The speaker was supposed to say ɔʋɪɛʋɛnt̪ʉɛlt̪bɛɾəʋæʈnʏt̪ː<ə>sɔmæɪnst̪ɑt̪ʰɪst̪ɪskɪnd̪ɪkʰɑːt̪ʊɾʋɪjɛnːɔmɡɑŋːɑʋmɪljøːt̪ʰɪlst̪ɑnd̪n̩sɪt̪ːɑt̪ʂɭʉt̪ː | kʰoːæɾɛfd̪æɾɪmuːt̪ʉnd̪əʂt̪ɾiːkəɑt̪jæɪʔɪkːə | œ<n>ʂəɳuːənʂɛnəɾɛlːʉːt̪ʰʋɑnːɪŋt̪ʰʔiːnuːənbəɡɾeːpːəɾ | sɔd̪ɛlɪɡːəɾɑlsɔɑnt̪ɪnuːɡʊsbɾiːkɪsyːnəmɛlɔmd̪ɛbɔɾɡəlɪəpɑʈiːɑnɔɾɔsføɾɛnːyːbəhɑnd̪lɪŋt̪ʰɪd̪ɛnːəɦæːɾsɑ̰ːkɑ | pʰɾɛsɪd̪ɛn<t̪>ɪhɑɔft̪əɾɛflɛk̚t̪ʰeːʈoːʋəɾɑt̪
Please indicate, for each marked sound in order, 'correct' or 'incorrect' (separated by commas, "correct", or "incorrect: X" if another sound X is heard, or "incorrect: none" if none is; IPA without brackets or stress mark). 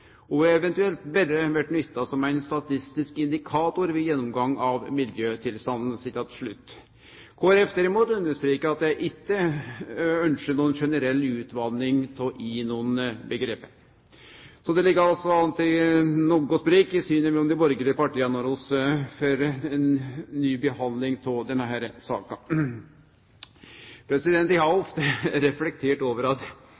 incorrect: ɑ, correct, correct